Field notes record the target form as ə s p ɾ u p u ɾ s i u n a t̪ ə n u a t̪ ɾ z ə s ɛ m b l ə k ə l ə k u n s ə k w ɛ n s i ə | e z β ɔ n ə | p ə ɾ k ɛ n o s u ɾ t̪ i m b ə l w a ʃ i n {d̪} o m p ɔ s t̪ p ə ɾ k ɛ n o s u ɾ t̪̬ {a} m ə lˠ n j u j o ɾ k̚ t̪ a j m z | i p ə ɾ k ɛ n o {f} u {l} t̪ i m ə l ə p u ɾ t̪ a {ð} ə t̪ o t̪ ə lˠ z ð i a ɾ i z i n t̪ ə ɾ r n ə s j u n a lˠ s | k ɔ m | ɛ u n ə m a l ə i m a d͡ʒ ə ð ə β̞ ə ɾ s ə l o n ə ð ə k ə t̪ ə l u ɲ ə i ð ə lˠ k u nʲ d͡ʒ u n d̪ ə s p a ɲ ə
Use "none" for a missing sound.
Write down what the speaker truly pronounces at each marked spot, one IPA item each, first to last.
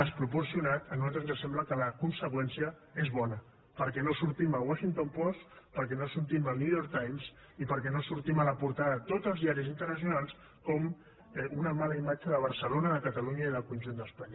t̪, i, s, ɾ, ð

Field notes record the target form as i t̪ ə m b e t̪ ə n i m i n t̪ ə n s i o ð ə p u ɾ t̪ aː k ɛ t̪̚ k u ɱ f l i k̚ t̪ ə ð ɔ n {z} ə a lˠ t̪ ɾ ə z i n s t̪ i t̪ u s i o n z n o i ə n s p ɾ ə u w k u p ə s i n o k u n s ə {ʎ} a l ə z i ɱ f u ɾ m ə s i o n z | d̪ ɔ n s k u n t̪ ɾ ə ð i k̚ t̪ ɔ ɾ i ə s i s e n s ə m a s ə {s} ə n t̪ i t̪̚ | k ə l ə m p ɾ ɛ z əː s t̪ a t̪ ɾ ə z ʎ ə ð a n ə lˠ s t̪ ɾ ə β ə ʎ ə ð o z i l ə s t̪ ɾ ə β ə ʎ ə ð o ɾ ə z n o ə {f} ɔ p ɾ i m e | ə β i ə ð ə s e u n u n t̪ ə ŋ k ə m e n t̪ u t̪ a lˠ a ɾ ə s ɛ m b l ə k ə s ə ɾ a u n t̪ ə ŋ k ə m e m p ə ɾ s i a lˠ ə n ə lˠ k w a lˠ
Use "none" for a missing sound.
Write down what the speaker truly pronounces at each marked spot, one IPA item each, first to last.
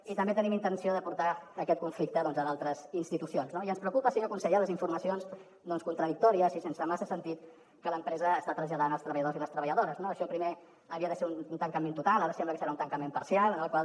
z, ʎ, s, ʃ

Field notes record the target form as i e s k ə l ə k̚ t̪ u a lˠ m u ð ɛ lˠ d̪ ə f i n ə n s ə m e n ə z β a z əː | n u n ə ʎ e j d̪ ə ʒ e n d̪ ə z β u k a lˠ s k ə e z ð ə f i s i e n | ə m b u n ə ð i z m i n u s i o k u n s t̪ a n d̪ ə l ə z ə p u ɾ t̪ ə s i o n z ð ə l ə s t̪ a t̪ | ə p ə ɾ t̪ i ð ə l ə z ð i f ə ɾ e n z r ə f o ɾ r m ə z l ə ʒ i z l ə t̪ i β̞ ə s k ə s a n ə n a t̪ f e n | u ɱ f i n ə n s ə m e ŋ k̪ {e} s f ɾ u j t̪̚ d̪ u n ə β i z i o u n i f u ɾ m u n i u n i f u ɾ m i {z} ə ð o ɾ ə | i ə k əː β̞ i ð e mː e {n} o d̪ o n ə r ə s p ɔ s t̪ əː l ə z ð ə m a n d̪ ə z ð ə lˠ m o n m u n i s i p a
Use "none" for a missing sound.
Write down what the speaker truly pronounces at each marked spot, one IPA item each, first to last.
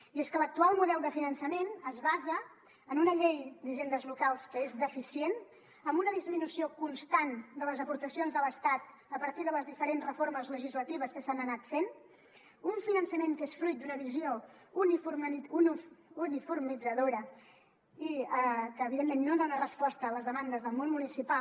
e, d͡z, nː

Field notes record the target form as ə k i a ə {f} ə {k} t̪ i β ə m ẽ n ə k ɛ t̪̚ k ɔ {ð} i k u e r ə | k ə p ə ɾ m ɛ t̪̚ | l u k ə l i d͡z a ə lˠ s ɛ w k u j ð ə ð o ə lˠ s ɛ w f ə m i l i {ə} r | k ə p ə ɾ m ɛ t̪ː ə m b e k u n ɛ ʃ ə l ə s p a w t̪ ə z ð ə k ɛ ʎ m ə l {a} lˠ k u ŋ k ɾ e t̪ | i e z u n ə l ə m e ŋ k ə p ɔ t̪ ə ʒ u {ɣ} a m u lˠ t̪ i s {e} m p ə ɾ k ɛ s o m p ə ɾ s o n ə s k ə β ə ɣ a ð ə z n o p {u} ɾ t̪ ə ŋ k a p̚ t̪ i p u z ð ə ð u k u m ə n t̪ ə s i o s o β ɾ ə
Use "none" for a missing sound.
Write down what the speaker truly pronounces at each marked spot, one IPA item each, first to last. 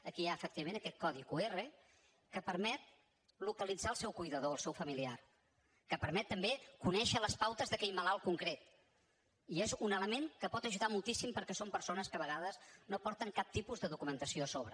f, k, ð, a, a, ð, i, ɔ

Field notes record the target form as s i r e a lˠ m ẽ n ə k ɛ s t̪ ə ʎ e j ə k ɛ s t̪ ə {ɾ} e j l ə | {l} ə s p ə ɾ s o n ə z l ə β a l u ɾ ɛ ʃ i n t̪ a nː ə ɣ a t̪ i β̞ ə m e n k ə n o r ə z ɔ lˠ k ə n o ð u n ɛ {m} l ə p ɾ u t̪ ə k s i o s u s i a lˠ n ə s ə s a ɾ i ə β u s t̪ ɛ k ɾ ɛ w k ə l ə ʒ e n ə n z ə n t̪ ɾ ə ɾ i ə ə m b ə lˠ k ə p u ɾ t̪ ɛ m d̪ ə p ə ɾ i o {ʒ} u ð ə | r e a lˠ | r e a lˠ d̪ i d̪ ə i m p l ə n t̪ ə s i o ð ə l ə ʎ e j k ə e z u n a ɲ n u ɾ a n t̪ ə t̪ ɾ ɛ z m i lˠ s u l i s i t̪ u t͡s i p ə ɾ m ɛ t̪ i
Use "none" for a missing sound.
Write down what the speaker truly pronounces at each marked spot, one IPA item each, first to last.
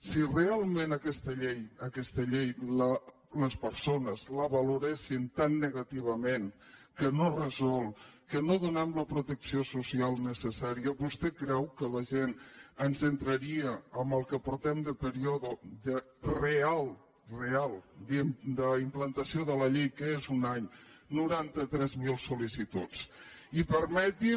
ʎ, l, m, ð

